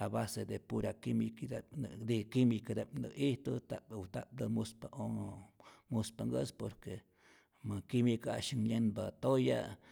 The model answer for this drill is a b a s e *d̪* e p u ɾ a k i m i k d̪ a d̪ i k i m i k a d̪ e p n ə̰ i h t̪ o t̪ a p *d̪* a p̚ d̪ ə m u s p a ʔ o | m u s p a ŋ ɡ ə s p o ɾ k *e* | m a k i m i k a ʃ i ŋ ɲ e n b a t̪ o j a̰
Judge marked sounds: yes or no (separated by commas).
yes, no, yes